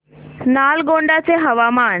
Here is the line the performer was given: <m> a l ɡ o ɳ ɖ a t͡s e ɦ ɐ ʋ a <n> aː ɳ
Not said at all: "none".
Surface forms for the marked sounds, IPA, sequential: n, m

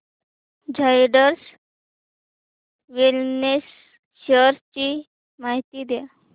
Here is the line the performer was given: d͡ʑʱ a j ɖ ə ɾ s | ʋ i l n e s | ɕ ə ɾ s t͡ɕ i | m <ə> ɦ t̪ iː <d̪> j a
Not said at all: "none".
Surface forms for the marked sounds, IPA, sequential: a, d̪

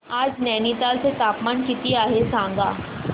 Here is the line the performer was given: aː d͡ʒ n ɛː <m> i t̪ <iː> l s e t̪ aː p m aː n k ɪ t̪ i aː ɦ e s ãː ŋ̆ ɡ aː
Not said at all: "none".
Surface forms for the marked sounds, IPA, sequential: n, aː

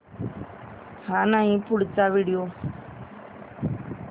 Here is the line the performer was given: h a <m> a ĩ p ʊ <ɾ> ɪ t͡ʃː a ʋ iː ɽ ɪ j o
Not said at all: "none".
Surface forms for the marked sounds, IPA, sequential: n, ɽ

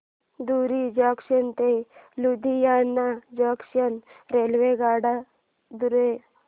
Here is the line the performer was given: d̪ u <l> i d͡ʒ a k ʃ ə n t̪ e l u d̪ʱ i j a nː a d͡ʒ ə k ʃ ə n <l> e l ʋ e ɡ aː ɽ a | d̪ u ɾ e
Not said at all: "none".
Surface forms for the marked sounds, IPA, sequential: ɾ, ɾ

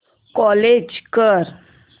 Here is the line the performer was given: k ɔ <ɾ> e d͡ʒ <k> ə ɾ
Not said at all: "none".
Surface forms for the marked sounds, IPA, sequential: l, k

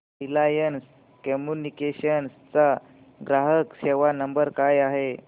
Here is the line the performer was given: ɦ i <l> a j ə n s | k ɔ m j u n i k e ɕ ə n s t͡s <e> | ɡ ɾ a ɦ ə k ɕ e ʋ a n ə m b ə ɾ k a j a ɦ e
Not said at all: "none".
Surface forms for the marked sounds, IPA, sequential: l, a

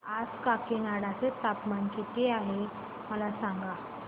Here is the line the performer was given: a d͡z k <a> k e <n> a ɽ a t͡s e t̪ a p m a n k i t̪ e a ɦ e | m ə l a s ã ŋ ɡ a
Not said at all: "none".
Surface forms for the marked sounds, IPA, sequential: a, n

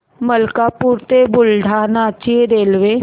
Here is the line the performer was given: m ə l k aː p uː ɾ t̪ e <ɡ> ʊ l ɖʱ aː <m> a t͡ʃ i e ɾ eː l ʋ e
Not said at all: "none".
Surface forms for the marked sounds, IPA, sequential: b, n

